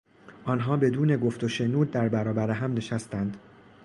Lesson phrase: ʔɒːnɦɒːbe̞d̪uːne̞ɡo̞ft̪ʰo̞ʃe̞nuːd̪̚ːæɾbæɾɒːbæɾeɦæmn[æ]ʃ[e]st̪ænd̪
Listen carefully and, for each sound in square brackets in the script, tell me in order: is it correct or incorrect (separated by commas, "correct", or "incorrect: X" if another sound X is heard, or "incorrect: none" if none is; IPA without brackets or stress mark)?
incorrect: e, incorrect: æ